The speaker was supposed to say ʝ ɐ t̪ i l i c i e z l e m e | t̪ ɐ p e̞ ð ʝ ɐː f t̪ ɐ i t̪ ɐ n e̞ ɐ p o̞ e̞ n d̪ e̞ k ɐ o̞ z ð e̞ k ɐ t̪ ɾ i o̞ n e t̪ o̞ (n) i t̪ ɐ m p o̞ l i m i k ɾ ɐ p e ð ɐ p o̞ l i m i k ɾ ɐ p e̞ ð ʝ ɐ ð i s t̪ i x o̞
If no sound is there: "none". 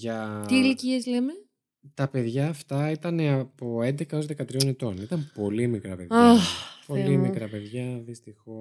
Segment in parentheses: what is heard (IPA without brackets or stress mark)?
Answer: n